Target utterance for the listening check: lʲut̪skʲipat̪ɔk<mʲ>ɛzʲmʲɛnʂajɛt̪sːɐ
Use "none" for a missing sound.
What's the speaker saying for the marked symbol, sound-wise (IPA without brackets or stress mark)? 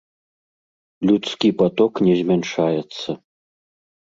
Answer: nʲ